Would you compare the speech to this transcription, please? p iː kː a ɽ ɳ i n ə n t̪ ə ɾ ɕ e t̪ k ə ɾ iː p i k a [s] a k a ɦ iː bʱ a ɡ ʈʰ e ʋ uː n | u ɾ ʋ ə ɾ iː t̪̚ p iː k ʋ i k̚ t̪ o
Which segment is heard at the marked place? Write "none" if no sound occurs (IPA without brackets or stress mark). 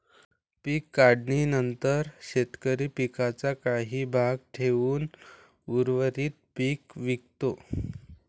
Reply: t͡s